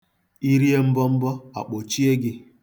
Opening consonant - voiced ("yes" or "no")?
yes